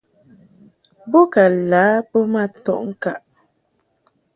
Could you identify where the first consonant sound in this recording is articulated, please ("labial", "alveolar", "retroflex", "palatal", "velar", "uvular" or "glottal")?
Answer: labial